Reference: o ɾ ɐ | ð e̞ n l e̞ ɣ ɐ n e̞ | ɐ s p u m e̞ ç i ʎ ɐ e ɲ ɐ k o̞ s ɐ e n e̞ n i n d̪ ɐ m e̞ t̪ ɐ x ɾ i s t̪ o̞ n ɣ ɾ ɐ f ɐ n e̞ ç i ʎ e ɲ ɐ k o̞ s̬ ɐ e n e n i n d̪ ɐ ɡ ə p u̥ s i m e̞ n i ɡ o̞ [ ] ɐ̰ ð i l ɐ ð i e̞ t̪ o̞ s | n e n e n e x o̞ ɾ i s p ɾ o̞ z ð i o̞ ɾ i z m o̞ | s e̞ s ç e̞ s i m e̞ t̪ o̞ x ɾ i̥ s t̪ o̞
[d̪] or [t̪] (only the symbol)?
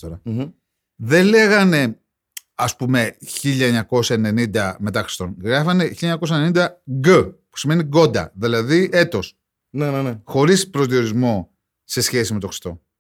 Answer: d̪